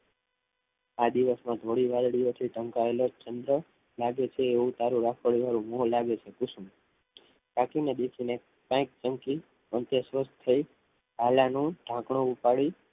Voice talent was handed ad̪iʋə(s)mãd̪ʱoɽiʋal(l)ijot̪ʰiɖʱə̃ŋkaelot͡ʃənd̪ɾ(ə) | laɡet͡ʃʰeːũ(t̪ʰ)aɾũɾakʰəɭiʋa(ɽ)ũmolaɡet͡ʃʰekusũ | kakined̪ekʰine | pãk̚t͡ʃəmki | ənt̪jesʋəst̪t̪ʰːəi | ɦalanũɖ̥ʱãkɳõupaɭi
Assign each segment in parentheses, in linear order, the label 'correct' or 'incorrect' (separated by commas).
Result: correct, incorrect, correct, incorrect, incorrect